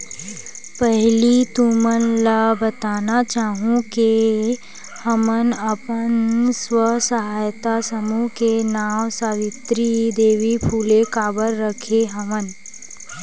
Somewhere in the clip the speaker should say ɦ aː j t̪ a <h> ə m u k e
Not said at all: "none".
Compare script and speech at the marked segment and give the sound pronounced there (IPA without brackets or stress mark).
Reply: s